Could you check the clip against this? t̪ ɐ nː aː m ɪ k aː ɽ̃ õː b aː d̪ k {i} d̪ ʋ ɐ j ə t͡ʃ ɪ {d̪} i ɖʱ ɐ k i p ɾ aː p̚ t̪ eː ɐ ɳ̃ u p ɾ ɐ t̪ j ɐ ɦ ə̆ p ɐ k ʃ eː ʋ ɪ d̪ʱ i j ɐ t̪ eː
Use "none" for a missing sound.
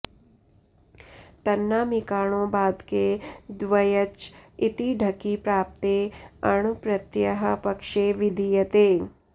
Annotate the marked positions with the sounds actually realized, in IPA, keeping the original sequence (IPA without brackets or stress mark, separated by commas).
e, t̪